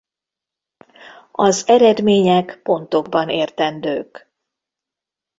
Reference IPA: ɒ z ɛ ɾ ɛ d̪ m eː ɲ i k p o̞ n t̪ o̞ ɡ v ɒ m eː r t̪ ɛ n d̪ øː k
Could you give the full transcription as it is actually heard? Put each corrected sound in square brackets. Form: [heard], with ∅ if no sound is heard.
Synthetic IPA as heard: ɒ z ɛ ɾ ɛ d̪ m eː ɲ [ɛ] k p o̞ n t̪ o̞ ɡ [b] ɒ [n] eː r t̪ ɛ n d̪ øː k

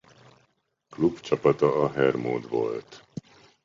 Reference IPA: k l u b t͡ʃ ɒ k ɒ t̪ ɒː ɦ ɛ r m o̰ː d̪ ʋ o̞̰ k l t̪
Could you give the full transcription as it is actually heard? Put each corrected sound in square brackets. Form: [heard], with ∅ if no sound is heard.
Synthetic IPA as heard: k l u b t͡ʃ ɒ [p] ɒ t̪ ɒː ɦ ɛ r m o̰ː d̪ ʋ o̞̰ [∅] l t̪

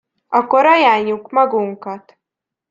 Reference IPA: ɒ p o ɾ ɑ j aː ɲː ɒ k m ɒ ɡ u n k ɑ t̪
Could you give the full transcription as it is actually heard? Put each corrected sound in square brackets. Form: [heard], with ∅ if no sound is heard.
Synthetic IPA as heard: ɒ [k] o ɾ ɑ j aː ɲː [u] k m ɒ ɡ u [ŋ] k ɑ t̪

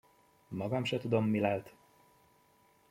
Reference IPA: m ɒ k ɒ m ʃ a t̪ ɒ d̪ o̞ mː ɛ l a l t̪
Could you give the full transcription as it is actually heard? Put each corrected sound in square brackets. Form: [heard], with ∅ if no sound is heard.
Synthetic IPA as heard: m ɒ [ɡ] ɒ m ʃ [ɛ] t̪ [u] d̪ o̞ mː [i] l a l t̪

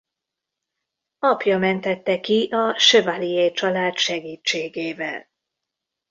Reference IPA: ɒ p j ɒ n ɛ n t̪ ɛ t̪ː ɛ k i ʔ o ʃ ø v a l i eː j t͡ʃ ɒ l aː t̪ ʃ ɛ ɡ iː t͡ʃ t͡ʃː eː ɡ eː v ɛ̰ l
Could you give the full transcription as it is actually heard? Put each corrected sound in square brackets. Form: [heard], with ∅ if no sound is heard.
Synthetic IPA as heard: ɒ p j ɒ [m] ɛ n t̪ ɛ t̪ː ɛ k i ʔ [ɒ] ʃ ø v a l i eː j t͡ʃ ɒ l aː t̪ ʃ ɛ ɡ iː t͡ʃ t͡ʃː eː ɡ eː v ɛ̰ l

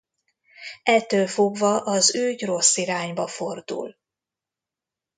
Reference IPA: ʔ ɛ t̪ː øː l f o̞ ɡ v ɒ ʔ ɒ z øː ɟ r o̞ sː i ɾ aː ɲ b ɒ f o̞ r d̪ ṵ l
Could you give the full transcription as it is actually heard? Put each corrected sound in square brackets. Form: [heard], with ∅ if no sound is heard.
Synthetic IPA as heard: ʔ ɛ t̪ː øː l f o̞ ɡ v ɒ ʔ ɒ z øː ɟ r o̞ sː i ɾ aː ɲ b ɒ f o̞ r d̪ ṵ l

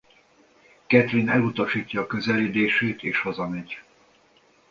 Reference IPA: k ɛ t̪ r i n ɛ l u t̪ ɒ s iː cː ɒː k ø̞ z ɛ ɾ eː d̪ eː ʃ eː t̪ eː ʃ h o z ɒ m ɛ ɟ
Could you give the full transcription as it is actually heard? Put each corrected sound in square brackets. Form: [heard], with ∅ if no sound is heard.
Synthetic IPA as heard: k ɛ t̪ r i n ɛ l u t̪ ɒ [ʃ] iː cː ɒː k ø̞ z ɛ [l] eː d̪ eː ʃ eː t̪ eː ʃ h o z ɒ m ɛ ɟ

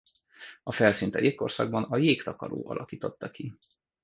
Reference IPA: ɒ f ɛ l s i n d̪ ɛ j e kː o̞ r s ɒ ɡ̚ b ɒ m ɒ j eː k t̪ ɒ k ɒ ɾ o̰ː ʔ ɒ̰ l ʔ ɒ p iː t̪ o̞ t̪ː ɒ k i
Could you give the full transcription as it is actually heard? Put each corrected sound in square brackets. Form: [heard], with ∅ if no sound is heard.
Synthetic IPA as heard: ɒ f ɛ l s i n [t̪] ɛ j e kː o̞ r s ɒ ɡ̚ b ɒ [n] ɒ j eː k t̪ ɒ k ɒ ɾ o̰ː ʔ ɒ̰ l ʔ ɒ [k] iː t̪ o̞ t̪ː ɒ k i

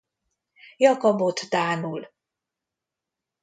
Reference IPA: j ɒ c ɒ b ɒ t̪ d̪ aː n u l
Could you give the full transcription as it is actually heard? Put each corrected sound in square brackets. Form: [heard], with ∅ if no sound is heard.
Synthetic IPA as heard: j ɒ [k] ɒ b [o] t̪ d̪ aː n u l

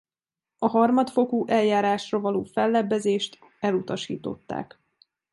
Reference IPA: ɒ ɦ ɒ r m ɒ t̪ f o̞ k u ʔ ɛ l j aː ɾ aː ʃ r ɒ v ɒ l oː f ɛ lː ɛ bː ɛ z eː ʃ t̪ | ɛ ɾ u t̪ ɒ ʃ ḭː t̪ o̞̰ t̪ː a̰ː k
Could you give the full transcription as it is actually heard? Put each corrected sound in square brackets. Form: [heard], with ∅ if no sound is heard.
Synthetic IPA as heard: ɒ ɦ ɒ r m ɒ t̪ f o̞ k u ʔ ɛ l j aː ɾ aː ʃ r ɒ v ɒ l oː f ɛ lː ɛ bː ɛ z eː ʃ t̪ | ɛ [l] u t̪ ɒ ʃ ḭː t̪ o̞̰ t̪ː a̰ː k

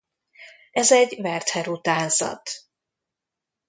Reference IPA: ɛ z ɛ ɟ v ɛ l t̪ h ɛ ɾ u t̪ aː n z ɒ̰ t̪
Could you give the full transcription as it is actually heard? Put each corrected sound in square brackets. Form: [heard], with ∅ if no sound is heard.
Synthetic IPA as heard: ɛ z ɛ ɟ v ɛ [r] t̪ h ɛ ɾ u t̪ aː n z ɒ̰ t̪

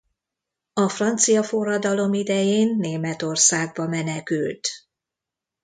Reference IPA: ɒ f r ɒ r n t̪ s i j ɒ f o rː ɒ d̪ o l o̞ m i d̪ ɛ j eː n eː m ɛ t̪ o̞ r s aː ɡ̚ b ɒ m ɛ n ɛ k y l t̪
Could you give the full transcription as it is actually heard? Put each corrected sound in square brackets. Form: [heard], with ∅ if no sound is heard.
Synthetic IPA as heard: ɒ f r ɒ [∅] n t̪ s i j ɒ f o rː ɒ d̪ [ɒ] l o̞ m i d̪ ɛ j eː [nː] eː m ɛ t̪ o̞ r s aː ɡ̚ b ɒ m ɛ n ɛ k y l t̪

